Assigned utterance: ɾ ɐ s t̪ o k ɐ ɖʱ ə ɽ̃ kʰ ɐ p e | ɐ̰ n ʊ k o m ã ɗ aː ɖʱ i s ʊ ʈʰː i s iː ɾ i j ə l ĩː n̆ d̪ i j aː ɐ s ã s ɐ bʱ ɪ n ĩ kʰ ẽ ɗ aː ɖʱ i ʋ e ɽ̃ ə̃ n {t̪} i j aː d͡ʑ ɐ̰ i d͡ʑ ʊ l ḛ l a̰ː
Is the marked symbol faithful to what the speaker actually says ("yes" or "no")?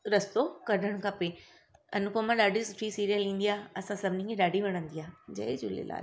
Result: no